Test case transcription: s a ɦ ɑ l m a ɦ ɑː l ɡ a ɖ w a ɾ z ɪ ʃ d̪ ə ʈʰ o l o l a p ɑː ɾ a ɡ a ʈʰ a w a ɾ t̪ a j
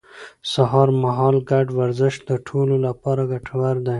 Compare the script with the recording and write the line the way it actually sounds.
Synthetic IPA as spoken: s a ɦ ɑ ɾ m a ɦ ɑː l ɡ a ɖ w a ɾ z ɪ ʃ d̪ ə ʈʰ o l o l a p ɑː ɾ a ɡ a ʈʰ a w a ɾ d̪ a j